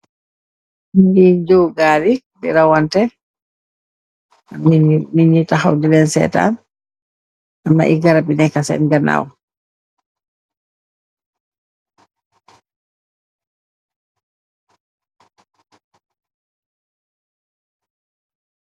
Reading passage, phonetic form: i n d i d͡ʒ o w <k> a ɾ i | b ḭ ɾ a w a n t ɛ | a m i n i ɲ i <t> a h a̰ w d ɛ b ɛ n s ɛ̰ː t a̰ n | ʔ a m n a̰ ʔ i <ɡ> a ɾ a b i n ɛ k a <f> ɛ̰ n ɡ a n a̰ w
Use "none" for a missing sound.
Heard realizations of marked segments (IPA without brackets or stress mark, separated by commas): ɡ, t, ɡ, s